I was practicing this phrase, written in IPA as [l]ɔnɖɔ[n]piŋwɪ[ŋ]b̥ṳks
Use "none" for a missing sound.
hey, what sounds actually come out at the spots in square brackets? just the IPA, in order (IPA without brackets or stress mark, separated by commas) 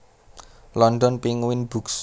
l, n, n